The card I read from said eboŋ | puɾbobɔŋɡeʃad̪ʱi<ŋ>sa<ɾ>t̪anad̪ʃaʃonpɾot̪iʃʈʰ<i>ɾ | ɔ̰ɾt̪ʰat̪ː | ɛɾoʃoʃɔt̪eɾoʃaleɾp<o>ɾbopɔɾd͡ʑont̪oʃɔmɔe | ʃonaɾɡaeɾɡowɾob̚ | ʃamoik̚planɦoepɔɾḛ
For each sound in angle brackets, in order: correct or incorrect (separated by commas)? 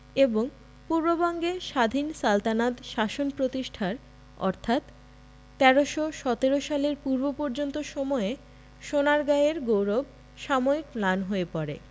incorrect, incorrect, incorrect, incorrect